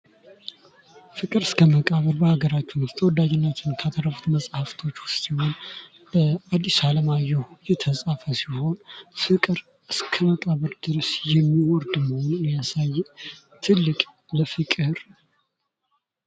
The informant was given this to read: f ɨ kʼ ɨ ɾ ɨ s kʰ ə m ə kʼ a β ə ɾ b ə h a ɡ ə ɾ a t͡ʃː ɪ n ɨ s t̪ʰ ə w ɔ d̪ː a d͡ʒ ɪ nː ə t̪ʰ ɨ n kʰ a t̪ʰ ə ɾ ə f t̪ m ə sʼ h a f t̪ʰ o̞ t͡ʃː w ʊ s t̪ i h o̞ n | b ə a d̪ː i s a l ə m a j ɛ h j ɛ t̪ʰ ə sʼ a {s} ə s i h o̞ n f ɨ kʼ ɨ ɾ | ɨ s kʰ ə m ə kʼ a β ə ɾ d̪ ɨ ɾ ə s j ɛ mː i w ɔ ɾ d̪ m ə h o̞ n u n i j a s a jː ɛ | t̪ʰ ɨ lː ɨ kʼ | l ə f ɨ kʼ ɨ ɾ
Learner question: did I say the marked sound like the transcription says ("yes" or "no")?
no